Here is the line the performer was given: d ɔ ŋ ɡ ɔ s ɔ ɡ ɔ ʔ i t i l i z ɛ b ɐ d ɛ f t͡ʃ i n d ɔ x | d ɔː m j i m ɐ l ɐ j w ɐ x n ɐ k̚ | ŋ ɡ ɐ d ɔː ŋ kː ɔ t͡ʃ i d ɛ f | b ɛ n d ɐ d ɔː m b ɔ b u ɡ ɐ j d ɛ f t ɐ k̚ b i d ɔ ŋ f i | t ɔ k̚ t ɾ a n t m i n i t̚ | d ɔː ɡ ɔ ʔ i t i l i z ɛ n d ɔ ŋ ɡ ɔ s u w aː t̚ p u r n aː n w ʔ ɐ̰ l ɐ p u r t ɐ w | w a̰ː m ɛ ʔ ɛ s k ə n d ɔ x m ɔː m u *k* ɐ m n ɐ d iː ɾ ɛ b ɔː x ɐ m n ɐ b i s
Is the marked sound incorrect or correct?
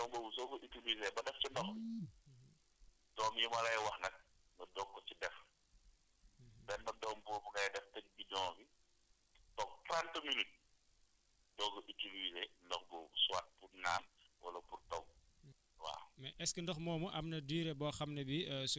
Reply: incorrect: ʔ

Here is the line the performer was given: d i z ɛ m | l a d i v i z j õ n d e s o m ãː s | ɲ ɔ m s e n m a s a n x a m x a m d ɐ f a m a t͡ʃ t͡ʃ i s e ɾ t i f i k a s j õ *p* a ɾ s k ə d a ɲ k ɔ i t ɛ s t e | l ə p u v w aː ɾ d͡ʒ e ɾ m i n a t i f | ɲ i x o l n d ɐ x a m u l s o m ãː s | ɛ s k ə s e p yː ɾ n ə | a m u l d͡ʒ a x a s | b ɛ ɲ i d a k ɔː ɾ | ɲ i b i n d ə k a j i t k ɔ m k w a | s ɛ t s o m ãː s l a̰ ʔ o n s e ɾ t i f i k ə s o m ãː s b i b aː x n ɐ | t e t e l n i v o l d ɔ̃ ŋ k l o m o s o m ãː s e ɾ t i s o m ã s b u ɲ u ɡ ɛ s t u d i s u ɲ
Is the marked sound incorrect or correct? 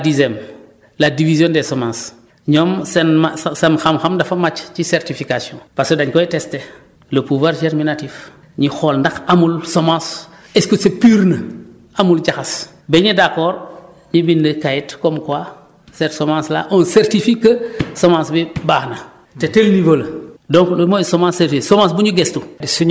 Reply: correct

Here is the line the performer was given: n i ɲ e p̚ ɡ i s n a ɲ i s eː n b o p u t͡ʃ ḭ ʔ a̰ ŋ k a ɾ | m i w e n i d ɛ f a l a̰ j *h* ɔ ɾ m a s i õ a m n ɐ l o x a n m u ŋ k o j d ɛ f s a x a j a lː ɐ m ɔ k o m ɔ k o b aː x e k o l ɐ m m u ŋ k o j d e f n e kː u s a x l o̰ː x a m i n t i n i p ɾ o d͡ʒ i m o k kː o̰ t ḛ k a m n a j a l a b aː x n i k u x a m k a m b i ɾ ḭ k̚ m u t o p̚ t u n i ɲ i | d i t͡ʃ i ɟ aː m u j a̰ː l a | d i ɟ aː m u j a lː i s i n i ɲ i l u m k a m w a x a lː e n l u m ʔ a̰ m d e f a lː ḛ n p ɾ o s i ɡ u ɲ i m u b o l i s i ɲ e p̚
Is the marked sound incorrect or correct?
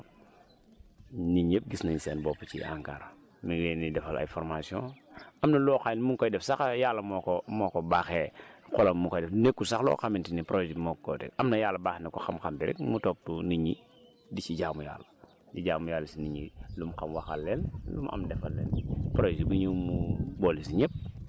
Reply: incorrect: f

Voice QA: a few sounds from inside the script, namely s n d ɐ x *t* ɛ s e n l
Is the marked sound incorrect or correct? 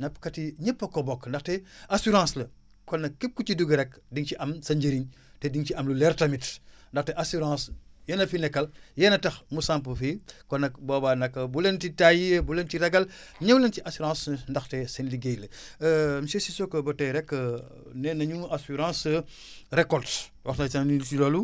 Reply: correct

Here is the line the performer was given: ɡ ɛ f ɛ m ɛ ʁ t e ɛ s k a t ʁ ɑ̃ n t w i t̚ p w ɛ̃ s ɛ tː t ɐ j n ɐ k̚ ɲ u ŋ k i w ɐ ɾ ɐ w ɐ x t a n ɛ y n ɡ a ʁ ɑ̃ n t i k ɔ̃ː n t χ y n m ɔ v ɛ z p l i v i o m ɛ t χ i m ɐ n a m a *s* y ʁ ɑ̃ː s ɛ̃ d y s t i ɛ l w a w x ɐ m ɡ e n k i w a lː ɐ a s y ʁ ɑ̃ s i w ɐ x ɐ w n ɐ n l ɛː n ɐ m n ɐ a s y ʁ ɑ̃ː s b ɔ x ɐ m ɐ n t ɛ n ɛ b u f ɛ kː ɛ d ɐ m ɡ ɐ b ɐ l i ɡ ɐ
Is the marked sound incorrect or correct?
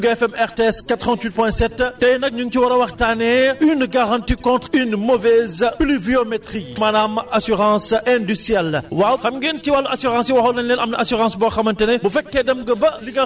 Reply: correct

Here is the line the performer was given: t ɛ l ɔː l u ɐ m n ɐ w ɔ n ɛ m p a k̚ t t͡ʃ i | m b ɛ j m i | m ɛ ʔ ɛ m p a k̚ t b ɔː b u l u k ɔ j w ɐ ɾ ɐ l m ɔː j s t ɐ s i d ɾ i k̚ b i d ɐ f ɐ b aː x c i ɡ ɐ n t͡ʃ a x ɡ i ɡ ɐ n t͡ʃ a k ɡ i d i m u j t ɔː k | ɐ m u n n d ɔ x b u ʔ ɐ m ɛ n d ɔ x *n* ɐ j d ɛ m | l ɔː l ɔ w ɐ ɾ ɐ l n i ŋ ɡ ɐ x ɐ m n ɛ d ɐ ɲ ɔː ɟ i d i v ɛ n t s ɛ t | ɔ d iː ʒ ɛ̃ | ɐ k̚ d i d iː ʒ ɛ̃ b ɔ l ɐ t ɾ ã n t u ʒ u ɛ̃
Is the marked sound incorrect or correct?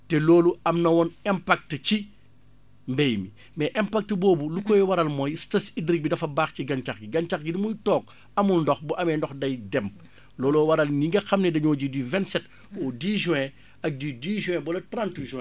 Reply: incorrect: d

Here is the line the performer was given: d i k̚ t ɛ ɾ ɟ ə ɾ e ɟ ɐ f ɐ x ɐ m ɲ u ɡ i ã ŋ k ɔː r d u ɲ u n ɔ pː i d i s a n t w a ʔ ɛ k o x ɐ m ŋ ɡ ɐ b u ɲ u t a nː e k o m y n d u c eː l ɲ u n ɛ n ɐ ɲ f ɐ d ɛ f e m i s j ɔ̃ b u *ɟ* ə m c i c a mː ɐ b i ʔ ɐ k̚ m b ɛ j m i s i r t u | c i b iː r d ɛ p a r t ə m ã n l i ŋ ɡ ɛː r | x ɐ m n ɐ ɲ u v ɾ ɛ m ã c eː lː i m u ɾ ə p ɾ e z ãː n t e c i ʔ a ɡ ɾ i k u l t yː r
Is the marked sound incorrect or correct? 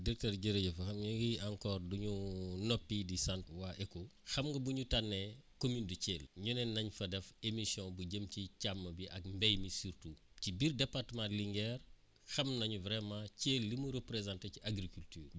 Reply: correct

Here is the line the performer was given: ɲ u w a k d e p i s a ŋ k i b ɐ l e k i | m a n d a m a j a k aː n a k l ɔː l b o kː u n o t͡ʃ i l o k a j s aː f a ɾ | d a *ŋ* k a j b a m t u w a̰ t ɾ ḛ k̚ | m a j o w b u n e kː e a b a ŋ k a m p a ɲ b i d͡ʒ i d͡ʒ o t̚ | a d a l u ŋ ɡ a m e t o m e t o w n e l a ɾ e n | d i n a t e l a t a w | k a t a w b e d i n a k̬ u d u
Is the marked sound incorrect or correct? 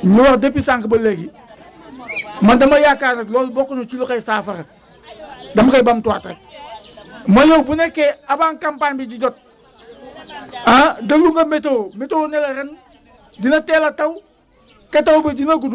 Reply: incorrect: m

